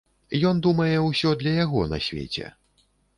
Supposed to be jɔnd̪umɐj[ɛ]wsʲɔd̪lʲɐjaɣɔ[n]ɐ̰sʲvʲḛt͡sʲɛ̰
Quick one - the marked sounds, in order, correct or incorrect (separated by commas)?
correct, correct